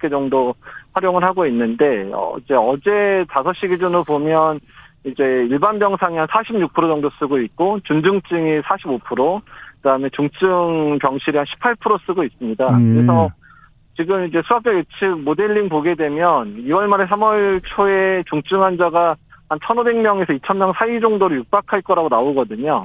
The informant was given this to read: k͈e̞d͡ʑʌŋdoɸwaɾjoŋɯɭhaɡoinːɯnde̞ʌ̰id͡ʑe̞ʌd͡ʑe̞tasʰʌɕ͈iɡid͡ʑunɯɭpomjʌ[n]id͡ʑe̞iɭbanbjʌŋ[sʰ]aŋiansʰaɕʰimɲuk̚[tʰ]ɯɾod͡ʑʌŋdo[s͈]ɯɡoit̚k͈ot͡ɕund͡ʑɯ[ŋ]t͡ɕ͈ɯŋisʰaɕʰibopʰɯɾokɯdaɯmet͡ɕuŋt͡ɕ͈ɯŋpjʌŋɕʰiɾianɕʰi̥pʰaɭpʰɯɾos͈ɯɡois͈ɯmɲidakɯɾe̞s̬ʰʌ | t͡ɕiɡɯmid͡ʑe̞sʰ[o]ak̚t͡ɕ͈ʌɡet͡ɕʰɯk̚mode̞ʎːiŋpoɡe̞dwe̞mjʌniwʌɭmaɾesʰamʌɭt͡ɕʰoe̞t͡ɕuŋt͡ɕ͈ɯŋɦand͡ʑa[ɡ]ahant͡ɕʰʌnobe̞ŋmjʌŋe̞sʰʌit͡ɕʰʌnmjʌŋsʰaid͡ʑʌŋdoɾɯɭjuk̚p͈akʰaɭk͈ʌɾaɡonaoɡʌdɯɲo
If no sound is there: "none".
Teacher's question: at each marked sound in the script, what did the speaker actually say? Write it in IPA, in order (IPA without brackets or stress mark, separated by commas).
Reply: n, sʰ, pʰ, s͈, ŋ, u, ɡ